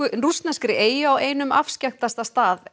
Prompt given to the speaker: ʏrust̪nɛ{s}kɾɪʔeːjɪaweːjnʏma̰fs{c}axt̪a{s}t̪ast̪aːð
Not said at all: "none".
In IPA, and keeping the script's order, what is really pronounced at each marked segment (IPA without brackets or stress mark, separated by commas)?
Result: s, c, s